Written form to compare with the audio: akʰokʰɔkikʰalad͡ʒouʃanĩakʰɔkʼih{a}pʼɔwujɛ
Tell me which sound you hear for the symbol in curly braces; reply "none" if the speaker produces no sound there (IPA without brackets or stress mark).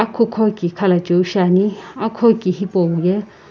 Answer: i